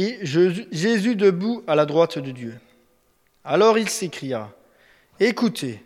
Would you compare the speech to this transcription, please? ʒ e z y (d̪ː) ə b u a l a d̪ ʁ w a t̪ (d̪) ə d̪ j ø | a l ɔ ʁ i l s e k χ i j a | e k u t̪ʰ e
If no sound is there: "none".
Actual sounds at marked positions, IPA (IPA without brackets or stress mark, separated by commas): d̪, d̪